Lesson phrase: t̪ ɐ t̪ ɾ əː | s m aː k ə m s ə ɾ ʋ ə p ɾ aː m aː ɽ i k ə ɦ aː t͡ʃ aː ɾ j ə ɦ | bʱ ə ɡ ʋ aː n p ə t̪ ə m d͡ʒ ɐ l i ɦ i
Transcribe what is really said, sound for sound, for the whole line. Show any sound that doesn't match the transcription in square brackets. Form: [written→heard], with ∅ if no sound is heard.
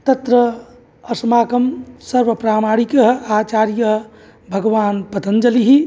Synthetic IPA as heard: t̪ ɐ t̪ ɾ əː | s m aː k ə m s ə ɾ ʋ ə p ɾ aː m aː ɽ i k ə ɦ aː t͡ʃ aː ɾ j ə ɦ | bʱ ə ɡ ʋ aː n p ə t̪ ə [m→n] d͡ʒ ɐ l i ɦ i